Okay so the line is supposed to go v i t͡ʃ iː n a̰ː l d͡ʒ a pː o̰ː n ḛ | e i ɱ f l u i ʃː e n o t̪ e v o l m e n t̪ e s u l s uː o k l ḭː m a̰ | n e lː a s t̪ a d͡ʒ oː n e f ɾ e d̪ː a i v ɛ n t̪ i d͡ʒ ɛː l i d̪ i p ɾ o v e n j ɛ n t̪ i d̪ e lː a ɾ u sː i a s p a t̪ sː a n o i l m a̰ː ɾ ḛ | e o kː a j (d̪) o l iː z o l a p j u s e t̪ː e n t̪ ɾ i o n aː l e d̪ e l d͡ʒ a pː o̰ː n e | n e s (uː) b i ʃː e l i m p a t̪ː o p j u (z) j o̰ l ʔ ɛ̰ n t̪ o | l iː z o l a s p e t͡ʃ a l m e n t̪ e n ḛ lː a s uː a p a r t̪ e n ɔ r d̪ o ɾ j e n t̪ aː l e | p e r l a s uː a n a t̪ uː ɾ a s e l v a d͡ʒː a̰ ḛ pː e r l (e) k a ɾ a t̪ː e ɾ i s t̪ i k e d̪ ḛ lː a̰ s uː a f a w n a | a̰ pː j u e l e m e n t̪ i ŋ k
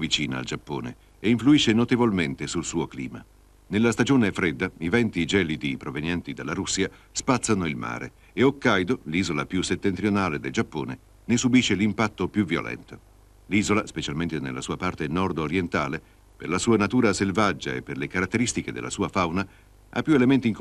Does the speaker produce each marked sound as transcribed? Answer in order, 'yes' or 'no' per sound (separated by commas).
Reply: yes, no, no, yes